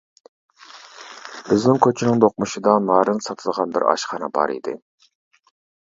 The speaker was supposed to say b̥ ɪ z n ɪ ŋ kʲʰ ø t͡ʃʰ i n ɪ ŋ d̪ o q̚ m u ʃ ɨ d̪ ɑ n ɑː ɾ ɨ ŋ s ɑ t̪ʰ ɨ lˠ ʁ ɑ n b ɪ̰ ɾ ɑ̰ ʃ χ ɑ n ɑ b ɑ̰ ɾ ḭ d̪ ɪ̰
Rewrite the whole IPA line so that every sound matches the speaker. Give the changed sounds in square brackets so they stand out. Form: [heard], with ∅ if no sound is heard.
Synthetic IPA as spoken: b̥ ɪ z n ɪ ŋ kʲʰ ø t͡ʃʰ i n ɪ ŋ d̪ o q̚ m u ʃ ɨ d̪ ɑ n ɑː ɾ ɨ [n] s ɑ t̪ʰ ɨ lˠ ʁ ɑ n b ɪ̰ ɾ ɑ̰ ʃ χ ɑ n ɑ b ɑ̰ ɾ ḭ d̪ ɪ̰

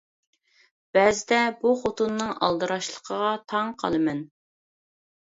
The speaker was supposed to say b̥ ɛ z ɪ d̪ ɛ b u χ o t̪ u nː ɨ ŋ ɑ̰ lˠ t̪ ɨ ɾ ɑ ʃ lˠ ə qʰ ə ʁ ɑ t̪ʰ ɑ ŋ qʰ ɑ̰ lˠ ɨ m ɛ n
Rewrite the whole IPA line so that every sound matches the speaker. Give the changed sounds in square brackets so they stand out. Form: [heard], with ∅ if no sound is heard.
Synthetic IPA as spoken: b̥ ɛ z ɪ d̪ ɛ b u χ o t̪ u nː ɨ ŋ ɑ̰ lˠ [d̪] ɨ ɾ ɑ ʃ lˠ ə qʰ ə ʁ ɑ t̪ʰ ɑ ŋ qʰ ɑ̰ lˠ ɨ m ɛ n

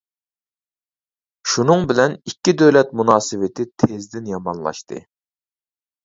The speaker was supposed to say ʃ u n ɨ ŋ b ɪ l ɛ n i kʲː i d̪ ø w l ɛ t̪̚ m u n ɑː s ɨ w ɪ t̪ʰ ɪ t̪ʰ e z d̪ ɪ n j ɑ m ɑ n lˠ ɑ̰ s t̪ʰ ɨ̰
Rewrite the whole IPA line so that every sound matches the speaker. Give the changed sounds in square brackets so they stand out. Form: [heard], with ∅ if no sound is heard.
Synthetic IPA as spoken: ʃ u n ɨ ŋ b ɪ l ɛ n i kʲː i d̪ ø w l ɛ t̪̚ m u n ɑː s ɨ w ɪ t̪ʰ ɪ t̪ʰ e z d̪ ɪ n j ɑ m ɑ n lˠ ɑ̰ [ʃ] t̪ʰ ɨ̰

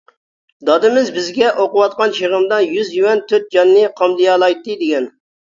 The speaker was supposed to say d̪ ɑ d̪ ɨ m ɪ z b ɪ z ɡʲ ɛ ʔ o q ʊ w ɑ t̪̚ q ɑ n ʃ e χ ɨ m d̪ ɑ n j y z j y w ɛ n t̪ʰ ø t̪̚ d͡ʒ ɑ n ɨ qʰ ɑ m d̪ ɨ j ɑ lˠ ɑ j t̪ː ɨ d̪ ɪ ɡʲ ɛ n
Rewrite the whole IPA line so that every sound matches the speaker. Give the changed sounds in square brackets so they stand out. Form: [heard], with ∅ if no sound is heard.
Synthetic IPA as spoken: d̪ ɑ d̪ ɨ m ɪ z b ɪ z ɡʲ ɛ ʔ o q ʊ w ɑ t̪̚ q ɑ n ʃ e [ʁ] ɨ m d̪ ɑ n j y z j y w ɛ n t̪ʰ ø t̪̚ d͡ʒ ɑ [nː] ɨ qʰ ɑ m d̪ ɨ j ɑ lˠ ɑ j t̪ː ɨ d̪ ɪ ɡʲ ɛ n

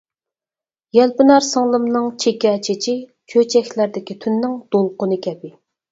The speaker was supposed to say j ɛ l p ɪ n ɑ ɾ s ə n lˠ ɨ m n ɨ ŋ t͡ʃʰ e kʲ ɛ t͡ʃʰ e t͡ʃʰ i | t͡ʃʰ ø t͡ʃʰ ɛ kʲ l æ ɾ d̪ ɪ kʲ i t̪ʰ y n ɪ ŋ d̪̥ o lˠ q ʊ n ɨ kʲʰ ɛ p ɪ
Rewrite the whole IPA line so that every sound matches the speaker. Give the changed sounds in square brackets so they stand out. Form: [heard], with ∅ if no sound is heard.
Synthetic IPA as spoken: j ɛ l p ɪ n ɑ ɾ s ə [ŋ] lˠ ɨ m n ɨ ŋ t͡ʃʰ e kʲ ɛ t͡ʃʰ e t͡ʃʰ i | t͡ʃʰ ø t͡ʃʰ ɛ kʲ l æ ɾ d̪ ɪ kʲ i t̪ʰ y [nː] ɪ ŋ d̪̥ o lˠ q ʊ n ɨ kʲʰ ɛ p ɪ

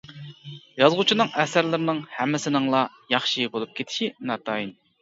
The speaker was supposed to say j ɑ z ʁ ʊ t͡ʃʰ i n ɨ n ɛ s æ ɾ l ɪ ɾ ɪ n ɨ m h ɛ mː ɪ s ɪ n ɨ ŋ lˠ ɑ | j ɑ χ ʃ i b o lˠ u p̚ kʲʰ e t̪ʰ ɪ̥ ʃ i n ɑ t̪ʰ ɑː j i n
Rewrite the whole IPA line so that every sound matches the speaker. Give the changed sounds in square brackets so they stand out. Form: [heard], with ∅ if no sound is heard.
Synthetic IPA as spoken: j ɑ z ʁ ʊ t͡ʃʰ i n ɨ [ŋ] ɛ s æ ɾ l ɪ ɾ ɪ n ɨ [ŋ] h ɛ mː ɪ s ɪ n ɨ ŋ lˠ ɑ | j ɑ χ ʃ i b o lˠ u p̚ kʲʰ e t̪ʰ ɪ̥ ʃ i n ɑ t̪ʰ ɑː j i n

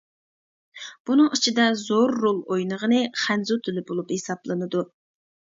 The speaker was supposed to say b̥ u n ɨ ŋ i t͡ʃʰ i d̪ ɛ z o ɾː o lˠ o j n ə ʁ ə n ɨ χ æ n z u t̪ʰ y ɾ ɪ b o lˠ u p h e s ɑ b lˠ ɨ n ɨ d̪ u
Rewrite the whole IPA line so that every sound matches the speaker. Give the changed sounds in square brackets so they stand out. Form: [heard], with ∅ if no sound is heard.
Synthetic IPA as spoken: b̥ u n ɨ ŋ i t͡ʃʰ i d̪ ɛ z o ɾː o lˠ o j n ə ʁ ə n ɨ χ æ n z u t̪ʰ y [l] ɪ b o lˠ u p h e s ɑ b lˠ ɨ n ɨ d̪ u

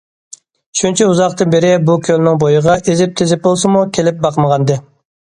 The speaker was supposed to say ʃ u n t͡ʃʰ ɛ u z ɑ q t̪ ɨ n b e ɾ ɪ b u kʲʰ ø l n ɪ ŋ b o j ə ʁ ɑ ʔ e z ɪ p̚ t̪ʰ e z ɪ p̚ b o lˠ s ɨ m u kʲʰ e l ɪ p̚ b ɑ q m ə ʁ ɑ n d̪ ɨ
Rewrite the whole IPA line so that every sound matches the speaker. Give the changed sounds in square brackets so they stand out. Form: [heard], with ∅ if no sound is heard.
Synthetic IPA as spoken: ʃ u n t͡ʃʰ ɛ u z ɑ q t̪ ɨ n b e ɾ ɪ b u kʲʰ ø l n ɪ ŋ b o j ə ʁ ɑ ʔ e z ɪ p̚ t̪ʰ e z ɪ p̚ b o lˠ s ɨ m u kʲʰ e l ɪ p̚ b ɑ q m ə ʁ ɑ n d̪ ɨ

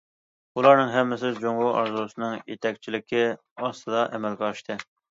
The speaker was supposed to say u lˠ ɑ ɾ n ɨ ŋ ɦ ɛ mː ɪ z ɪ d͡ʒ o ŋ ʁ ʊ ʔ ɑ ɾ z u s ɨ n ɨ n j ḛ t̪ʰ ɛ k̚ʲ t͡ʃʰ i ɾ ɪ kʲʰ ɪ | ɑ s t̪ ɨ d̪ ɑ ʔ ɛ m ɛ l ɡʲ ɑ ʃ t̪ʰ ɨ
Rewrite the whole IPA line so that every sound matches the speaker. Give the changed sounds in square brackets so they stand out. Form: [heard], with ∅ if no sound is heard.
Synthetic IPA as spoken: u lˠ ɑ ɾ n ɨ ŋ ɦ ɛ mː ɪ [s] ɪ d͡ʒ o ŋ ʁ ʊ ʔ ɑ ɾ z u s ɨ n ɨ [ŋ] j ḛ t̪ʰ ɛ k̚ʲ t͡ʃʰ i [l] ɪ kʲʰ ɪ | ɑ s t̪ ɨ d̪ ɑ ʔ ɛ m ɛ l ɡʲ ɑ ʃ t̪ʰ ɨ

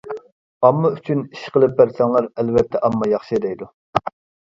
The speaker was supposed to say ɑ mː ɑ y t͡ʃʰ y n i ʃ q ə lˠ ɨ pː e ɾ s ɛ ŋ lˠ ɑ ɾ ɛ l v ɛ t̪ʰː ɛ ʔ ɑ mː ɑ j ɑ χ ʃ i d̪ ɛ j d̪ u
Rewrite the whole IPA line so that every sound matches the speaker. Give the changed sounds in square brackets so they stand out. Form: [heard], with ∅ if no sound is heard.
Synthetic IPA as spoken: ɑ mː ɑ y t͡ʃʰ y n i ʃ q ə lˠ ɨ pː [æ] ɾ s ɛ ŋ lˠ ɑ ɾ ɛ l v ɛ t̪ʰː ɛ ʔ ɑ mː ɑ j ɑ χ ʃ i d̪ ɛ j d̪ u

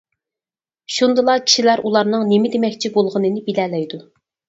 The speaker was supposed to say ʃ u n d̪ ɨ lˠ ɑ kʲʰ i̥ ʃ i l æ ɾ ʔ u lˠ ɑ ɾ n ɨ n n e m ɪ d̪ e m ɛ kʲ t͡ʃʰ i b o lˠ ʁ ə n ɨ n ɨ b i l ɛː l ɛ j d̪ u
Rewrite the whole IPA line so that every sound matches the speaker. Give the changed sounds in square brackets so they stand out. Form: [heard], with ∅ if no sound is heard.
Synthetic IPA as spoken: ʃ u n d̪ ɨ lˠ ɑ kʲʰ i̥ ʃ i l æ ɾ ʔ u lˠ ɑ ɾ n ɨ [ŋ] n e m ɪ d̪ e m ɛ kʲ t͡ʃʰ i b o lˠ ʁ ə n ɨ n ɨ b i l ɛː l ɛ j d̪ u

